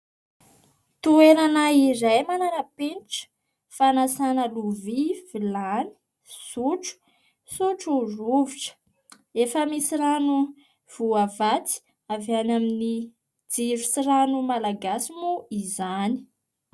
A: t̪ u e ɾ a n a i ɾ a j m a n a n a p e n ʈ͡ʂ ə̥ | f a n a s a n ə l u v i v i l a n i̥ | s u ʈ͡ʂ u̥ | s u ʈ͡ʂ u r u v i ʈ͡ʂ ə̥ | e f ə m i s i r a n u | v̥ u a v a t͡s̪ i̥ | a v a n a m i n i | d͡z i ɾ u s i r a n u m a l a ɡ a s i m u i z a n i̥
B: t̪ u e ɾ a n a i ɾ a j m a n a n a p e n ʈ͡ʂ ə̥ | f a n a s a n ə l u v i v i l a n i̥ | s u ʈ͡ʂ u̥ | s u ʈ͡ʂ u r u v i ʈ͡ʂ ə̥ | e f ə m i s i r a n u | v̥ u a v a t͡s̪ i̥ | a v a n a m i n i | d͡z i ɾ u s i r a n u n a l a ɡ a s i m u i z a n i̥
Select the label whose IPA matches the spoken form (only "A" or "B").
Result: A